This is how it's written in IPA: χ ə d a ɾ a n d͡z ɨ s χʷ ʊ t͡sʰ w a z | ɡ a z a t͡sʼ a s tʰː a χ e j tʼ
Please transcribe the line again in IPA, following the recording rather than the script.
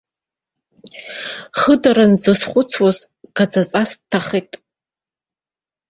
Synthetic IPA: χ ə d a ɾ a n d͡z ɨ s χʷ ʊ t͡sʰ w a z | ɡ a d͡z a t͡sʼ a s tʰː a χ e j tʼ